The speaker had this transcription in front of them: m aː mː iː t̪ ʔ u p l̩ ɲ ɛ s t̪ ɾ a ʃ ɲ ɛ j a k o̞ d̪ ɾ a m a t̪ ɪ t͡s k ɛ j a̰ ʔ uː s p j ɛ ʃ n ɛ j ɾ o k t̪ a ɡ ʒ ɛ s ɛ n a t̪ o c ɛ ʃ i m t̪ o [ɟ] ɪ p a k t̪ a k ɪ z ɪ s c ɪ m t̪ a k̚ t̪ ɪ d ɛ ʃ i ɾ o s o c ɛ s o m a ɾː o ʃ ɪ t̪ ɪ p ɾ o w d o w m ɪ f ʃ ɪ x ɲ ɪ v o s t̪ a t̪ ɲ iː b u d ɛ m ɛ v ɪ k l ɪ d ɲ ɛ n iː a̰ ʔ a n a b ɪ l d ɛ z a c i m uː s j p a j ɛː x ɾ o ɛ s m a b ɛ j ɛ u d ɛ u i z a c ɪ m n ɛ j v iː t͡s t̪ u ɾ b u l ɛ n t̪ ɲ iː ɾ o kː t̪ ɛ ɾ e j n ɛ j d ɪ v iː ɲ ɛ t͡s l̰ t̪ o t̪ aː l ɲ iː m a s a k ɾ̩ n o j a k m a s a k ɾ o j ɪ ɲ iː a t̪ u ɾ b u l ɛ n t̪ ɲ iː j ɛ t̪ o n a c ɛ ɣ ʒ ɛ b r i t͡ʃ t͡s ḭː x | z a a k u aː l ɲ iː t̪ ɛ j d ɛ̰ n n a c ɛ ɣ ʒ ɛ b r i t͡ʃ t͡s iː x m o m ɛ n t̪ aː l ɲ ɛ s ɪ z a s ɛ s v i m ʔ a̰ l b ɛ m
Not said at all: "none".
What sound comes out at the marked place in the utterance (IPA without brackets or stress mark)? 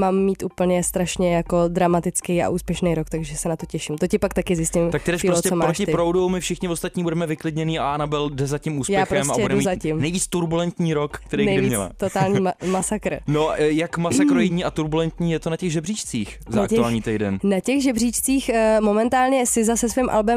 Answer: c